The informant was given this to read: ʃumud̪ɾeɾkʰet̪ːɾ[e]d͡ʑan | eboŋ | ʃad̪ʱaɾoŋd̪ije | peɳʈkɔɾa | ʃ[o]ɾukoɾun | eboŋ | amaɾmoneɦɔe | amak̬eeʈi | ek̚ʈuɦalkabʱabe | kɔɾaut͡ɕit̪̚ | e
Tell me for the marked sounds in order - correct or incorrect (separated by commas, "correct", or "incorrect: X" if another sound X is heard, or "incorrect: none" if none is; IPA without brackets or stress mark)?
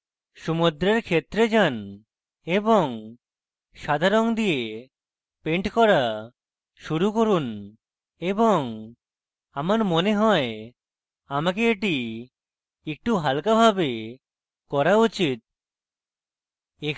correct, incorrect: u